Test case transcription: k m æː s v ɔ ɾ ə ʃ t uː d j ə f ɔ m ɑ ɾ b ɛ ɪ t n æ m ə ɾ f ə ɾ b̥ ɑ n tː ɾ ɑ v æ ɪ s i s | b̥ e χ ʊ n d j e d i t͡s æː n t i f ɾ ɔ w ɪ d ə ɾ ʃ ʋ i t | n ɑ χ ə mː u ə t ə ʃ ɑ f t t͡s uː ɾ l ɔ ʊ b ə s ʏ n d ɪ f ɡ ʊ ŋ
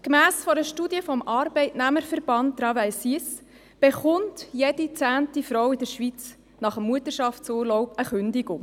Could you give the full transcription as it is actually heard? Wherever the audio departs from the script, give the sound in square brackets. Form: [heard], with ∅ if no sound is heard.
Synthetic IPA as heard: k m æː s [f] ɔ ɾ ə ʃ t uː d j ə f ɔ m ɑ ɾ b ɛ ɪ t n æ m ə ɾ f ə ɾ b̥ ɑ n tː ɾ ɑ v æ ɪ s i s | b̥ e χ ʊ n [t] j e d i t͡s æː n t i f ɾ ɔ w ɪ d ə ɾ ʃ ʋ i [t͡s] | n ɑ χ ə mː u ə t ə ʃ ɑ f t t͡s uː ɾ l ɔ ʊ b ə [χ] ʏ n d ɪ [∅] ɡ ʊ ŋ